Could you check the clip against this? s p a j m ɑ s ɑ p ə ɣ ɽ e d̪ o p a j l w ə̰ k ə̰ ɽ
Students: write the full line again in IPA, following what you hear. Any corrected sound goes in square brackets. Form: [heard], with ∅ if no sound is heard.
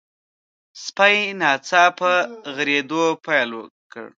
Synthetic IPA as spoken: s p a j [n] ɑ [t͡s] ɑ p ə ɣ [ɾ] e d̪ o p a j l w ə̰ k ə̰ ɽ